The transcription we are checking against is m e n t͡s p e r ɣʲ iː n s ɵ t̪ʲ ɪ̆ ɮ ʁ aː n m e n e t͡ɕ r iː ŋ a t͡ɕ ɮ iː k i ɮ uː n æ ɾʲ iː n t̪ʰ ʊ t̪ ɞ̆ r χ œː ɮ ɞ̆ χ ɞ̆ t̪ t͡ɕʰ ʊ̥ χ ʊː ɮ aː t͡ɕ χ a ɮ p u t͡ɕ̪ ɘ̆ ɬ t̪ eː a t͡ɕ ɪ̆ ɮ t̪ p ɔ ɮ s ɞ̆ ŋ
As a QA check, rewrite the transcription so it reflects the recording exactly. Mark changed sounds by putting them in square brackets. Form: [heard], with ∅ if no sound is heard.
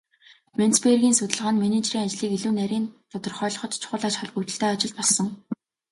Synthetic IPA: m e n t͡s p e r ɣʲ iː n s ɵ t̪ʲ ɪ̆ ɮ ʁ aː n m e n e t͡ɕ r iː ŋ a t͡ɕ ɮ iː k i ɮ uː n æ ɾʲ iː n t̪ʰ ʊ t̪ ɞ̆ r χ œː ɮ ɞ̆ χ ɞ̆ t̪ t͡ɕʰ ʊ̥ χ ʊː ɮ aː t͡ɕ χ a ɮ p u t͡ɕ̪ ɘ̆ ɬ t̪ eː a t͡ɕ ɪ̆ ɮ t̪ p ɔ ɮ s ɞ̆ ŋ